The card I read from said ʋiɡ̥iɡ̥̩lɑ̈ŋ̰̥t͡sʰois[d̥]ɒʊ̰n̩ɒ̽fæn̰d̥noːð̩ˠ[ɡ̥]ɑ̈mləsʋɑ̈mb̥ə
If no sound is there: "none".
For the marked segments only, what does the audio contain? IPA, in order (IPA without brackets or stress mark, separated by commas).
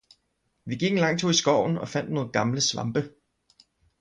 ɡ̥, ɡ̥